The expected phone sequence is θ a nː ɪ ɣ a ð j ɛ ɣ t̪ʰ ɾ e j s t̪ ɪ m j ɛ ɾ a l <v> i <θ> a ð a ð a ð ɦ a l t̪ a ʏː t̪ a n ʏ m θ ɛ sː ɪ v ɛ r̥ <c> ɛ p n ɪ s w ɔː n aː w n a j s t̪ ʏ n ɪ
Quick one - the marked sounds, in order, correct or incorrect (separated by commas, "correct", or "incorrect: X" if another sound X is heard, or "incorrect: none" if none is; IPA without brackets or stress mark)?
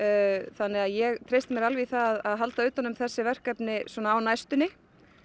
correct, correct, incorrect: k